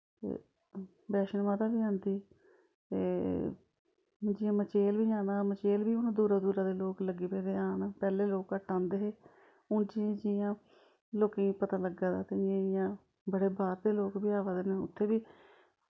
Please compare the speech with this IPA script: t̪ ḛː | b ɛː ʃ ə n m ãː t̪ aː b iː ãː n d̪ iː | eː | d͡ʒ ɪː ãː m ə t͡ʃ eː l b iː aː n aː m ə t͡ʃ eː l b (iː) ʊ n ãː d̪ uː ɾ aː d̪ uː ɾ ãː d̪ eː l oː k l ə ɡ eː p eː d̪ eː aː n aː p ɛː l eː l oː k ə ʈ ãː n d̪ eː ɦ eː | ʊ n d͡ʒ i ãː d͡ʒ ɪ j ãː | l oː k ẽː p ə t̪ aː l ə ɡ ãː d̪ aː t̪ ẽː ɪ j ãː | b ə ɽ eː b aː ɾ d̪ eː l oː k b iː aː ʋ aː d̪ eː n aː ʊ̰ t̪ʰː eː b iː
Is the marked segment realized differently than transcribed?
no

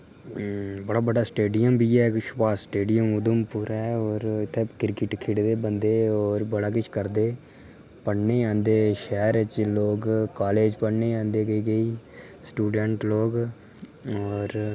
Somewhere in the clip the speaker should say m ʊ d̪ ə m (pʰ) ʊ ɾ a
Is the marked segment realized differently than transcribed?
yes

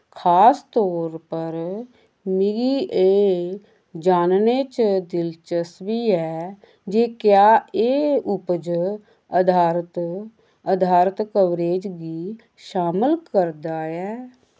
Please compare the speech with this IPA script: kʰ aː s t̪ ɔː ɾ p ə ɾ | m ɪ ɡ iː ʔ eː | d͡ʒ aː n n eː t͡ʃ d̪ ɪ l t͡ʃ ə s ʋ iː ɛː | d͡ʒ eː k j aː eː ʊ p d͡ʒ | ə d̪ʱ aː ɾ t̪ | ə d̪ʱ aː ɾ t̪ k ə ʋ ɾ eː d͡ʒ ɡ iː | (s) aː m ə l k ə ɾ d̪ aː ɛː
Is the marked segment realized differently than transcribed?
yes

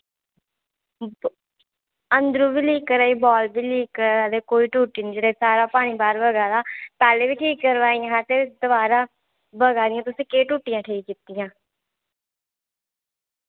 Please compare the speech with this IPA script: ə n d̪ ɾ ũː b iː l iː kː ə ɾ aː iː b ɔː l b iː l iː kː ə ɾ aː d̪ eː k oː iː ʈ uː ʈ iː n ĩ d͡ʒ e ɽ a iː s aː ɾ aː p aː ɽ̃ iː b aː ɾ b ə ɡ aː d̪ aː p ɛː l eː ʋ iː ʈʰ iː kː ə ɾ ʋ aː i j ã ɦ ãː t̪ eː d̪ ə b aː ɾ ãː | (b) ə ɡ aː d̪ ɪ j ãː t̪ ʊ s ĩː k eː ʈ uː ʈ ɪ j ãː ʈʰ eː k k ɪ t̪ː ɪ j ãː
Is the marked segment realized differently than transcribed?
no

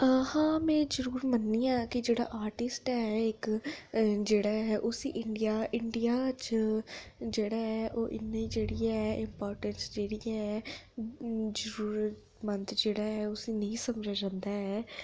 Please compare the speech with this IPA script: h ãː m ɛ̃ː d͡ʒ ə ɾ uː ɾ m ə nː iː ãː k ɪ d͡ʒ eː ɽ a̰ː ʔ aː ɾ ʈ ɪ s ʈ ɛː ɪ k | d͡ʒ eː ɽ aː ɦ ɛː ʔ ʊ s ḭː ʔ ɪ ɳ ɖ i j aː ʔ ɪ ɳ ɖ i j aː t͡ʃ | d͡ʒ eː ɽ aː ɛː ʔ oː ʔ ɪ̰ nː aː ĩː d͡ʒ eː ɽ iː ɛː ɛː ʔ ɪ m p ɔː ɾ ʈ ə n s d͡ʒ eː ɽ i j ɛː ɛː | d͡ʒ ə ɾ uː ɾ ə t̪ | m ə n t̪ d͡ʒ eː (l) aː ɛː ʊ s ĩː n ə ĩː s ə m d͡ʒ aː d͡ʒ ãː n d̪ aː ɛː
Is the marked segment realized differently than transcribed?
yes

